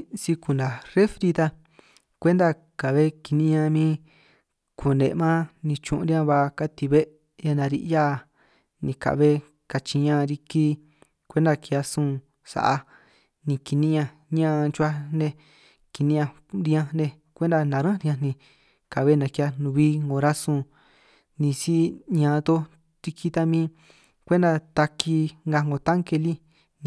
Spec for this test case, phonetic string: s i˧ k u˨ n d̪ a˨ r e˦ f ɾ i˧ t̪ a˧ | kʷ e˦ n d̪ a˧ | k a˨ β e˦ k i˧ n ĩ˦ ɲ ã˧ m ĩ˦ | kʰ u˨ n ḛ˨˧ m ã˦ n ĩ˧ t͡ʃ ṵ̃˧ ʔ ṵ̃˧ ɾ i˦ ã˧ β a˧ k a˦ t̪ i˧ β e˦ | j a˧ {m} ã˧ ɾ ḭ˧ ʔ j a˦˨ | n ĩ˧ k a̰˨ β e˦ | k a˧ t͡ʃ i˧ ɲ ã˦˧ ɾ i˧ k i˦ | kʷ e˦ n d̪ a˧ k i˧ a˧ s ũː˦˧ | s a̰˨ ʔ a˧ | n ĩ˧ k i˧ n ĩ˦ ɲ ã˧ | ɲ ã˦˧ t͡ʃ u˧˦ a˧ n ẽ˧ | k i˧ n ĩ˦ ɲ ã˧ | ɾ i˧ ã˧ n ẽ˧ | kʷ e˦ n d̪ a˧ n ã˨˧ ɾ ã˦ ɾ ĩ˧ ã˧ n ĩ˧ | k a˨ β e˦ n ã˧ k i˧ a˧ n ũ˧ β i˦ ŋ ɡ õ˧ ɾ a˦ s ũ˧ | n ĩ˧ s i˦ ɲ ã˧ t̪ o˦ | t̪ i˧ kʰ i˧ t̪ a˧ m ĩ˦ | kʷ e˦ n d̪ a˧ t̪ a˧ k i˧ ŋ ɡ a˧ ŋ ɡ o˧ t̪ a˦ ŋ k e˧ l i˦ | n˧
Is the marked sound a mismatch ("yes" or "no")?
yes